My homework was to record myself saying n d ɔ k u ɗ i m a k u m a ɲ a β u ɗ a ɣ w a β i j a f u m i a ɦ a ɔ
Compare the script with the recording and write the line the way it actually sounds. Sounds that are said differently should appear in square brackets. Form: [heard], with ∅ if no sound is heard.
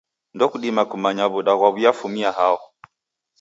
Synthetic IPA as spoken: n d ɔ k u ɗ i m a k u m a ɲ a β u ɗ a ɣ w a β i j a f u m i a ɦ a ɔ